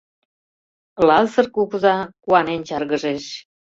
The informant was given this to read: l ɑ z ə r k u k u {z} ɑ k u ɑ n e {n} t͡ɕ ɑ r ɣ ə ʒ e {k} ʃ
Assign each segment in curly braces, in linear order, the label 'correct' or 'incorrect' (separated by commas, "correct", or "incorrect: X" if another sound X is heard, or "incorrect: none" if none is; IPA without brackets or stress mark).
correct, correct, incorrect: none